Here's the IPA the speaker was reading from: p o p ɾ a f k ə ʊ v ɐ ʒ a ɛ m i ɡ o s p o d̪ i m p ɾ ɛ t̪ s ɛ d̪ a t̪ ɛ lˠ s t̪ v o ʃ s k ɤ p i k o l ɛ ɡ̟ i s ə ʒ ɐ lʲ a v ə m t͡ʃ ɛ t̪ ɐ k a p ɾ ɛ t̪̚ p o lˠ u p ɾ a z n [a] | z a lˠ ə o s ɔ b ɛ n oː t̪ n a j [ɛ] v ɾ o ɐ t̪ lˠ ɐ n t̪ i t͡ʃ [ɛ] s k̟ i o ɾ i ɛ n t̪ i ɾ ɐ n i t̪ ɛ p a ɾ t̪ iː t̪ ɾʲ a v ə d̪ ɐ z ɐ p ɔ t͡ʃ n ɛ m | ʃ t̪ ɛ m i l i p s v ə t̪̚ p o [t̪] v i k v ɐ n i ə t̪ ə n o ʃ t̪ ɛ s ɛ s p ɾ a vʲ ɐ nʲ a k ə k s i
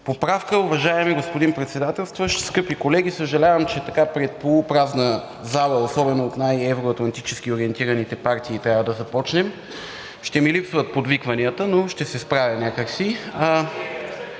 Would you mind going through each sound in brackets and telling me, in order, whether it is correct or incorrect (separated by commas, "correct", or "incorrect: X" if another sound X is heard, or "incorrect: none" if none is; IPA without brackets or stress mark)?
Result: incorrect: ə, correct, correct, incorrect: d̪